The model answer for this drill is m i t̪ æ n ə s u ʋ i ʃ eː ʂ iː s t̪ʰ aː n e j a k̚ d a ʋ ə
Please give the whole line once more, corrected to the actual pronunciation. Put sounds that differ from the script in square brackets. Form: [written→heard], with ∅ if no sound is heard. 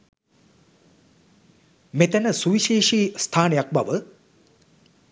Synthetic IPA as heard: m [i→e] t̪ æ n ə s u ʋ i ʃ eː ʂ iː s t̪ʰ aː n e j a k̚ [d→b] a ʋ ə

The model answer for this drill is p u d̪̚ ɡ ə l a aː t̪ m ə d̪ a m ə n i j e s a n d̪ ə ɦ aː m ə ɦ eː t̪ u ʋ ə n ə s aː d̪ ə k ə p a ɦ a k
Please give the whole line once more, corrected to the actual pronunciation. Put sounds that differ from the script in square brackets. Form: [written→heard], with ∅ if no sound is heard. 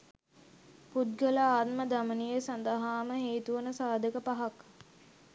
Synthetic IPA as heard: p u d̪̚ ɡ ə l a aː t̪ m ə d̪ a m ə n i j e s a n d̪ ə ɦ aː m ə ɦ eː t̪ u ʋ ə n ə s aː d̪ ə k ə p a ɦ a k

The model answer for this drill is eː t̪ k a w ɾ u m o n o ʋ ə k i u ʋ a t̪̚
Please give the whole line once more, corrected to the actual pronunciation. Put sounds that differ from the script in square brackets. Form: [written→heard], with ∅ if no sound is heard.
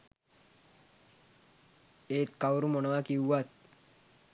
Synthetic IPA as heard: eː t̪ k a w ɾ u m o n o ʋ [ə→a] k i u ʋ a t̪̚

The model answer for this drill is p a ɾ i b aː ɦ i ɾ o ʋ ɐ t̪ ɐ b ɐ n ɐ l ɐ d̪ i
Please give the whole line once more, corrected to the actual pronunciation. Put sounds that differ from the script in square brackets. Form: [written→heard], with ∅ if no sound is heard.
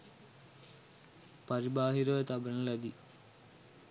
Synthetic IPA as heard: p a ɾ i b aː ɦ i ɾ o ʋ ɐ t̪ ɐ b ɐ n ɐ l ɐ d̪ i

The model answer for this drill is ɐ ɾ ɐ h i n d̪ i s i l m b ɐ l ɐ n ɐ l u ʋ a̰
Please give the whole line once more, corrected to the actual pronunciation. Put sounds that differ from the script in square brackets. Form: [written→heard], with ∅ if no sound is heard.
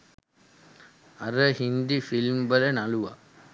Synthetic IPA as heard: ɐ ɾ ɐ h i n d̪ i [s→f] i l m b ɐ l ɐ n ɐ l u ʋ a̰

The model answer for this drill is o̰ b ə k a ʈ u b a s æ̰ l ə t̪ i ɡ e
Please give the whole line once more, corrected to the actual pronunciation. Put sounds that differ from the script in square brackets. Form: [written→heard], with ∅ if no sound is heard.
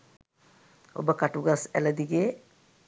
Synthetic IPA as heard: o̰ b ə k a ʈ u [b→ɡ] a s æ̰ l ə [t̪→d̪] i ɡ e

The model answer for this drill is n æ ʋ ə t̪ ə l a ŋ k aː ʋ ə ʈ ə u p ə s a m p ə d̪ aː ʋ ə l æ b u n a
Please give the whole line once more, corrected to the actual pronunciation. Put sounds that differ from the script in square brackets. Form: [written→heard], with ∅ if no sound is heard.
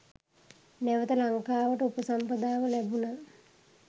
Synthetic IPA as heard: n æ ʋ ə t̪ ə l a ŋ k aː ʋ ə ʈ ə u p ə s a m p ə d̪ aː ʋ ə l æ b u n a

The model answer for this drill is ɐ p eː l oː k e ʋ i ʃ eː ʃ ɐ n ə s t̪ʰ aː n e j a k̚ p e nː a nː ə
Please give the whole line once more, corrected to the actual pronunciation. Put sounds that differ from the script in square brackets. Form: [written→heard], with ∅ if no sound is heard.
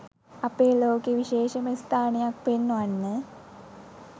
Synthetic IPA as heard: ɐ p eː l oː k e ʋ i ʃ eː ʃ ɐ [n→m] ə s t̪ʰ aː n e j a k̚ p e nː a nː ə

